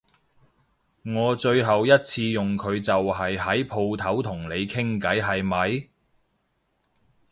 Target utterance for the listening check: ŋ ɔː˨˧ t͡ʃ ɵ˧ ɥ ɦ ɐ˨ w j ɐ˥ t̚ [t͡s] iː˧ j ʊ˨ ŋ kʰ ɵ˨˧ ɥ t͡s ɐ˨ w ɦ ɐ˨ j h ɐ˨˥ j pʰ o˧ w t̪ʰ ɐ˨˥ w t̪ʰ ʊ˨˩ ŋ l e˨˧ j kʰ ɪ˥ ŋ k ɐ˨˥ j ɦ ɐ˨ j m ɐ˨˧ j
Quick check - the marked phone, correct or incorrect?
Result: incorrect: t͡sʰ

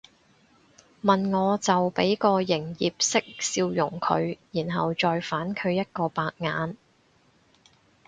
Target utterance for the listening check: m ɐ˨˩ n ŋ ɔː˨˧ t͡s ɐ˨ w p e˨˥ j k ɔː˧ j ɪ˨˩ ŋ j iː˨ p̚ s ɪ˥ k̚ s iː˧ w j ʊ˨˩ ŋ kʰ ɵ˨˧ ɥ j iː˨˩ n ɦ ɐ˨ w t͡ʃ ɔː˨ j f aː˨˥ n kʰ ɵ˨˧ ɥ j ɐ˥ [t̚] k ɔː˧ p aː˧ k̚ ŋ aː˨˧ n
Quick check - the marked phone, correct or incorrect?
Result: correct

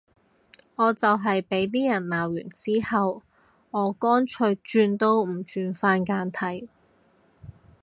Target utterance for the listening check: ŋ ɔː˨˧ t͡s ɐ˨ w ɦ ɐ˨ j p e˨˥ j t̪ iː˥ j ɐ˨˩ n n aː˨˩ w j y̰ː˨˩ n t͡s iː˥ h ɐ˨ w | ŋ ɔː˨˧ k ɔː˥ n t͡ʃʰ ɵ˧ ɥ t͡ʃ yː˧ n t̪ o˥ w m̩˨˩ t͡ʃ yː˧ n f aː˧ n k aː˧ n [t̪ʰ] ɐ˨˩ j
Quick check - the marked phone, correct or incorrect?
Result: correct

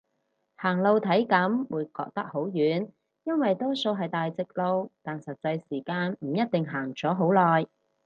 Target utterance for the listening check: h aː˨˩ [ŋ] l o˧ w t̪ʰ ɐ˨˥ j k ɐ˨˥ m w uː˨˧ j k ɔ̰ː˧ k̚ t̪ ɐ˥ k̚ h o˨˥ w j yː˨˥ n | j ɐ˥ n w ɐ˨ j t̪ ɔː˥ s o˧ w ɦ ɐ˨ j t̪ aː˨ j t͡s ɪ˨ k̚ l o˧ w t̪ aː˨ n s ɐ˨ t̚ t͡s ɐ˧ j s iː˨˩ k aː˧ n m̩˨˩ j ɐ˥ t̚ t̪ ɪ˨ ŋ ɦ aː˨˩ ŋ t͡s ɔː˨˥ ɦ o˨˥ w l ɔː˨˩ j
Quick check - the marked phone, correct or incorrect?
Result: correct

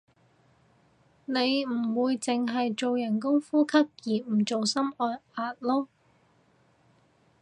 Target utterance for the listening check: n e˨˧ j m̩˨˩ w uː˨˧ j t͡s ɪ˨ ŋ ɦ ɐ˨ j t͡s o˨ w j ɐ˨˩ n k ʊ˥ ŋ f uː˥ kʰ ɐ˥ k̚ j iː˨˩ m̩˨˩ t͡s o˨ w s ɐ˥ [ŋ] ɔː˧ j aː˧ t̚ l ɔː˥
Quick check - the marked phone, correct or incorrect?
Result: incorrect: m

